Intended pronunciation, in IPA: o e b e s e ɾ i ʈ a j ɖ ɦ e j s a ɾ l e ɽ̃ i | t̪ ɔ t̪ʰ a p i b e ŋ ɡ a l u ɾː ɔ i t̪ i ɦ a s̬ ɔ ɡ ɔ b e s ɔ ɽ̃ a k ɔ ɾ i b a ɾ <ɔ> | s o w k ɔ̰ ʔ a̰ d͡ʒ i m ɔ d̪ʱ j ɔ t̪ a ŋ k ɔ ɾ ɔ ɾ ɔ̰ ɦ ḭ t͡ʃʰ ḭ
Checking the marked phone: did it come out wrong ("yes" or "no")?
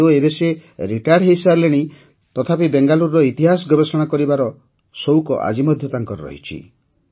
no